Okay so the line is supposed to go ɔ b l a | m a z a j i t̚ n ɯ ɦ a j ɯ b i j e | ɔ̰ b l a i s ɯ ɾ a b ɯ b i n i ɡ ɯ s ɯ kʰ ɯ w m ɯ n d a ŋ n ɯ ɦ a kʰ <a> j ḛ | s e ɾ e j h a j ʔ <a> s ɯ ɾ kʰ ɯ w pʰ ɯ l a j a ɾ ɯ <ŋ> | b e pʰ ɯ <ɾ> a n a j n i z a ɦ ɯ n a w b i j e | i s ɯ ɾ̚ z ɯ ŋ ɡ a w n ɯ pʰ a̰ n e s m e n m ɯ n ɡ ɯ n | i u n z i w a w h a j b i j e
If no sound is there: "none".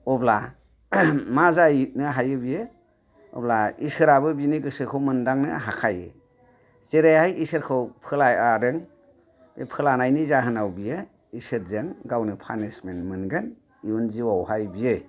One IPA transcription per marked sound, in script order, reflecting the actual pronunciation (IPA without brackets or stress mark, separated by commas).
a, i, ŋ, l